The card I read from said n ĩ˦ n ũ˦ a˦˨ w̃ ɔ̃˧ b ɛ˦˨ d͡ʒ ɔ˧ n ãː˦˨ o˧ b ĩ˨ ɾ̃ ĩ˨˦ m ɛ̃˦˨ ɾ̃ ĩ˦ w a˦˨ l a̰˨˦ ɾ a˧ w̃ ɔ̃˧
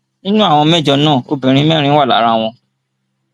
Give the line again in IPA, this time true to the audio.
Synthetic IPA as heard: n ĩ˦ n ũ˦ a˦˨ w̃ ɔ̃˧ m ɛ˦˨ d͡ʒ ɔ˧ n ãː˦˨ o˧ b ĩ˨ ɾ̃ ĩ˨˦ m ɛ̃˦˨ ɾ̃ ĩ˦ w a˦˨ l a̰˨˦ ɾ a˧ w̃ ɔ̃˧

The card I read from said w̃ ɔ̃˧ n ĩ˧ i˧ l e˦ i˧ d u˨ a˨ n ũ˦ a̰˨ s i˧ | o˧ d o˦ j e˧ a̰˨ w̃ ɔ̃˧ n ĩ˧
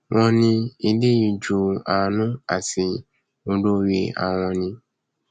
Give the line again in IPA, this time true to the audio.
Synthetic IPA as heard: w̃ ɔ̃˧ n ĩ˧ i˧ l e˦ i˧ d͡ʒ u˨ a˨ n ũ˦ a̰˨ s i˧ | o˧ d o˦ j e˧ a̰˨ w̃ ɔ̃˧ n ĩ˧

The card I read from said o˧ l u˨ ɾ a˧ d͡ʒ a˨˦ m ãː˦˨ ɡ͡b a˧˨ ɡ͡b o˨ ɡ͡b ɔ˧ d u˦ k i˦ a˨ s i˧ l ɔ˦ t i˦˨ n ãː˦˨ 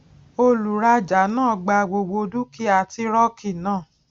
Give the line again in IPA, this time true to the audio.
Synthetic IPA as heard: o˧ l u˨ ɾ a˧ d͡ʒ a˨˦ n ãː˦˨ ɡ͡b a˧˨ ɡ͡b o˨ ɡ͡b o˧ d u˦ k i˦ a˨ t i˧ ɾ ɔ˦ k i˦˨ n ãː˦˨

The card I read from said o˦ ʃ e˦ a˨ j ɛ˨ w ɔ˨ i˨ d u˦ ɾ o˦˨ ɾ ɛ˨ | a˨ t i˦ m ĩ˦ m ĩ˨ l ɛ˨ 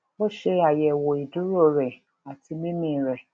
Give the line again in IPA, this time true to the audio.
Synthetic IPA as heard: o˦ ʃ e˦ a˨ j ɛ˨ w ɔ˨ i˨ d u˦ ɾ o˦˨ ɾ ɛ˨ | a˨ t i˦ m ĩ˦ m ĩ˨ ɾ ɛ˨

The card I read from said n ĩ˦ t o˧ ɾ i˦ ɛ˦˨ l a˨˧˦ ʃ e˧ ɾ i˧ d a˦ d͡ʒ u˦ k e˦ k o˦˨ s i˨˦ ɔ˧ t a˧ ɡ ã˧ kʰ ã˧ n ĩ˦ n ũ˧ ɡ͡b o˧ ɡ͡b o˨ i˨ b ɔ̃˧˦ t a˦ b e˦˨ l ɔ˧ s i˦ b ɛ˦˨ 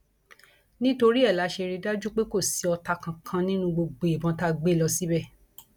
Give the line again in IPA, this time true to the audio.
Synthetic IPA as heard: n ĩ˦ t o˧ ɾ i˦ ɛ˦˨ l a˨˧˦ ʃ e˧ ɾ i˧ d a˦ d͡ʒ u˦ k͡p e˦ k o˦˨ s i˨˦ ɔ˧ t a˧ k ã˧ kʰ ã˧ n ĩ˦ n ũ˧ ɡ͡b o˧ ɡ͡b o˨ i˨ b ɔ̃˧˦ t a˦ ɡ͡b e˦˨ l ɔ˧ s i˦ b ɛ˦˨

